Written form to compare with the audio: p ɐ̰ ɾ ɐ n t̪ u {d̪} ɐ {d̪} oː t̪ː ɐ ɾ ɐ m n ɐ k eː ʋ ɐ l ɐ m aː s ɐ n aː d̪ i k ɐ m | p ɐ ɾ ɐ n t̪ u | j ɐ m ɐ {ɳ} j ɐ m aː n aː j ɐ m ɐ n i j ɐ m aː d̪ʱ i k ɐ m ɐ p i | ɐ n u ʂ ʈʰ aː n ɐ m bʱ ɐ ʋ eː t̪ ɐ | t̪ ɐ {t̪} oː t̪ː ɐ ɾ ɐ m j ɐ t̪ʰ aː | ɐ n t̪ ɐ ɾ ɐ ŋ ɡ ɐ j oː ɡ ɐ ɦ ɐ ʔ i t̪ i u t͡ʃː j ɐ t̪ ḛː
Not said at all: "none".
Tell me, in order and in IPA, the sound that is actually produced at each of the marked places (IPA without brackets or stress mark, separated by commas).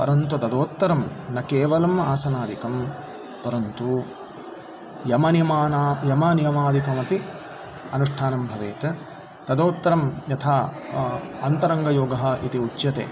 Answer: t̪, d̪, n, d̪